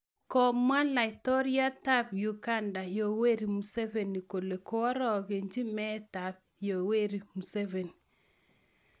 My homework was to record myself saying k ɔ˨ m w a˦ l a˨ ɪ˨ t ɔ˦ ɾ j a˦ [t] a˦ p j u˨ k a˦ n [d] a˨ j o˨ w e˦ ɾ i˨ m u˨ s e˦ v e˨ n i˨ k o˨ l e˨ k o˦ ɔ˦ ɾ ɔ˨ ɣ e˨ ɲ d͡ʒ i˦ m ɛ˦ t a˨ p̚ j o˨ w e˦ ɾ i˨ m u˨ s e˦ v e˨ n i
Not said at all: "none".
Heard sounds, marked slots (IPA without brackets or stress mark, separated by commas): t, d